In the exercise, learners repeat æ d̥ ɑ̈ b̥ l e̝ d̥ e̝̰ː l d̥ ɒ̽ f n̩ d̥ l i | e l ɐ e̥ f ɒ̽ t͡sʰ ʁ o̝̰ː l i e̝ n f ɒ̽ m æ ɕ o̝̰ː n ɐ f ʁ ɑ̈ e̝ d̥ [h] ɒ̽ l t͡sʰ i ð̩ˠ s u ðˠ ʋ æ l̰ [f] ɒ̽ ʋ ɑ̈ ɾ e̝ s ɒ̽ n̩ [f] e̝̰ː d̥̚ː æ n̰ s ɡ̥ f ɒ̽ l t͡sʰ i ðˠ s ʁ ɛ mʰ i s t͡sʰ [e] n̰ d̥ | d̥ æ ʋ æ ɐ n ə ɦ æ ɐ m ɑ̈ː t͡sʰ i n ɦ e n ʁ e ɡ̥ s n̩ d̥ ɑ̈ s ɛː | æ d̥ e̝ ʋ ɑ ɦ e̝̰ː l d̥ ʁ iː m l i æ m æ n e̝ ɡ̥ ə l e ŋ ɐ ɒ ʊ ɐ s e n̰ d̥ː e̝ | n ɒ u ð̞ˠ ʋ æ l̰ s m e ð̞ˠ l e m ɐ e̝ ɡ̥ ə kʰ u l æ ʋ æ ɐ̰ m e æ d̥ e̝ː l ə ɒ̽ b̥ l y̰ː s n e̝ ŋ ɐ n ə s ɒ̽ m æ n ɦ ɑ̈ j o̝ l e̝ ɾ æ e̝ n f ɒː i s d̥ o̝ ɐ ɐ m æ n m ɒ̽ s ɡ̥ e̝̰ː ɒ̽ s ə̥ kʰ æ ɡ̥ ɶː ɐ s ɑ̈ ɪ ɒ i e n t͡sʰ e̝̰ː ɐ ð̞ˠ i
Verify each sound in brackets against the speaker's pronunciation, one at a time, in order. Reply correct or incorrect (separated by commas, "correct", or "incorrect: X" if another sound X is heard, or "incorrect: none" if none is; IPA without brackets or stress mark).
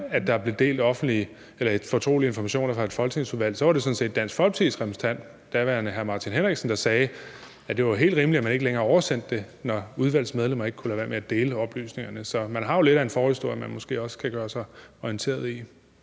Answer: incorrect: f, incorrect: s, incorrect: s, incorrect: æ